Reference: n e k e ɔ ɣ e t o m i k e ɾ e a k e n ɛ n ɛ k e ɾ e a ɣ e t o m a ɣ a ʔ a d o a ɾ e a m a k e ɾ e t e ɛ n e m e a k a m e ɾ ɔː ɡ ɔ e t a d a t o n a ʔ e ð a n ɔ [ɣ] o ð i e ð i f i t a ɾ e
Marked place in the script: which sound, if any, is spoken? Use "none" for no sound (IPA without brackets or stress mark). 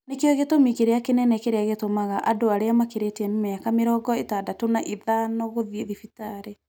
ɣ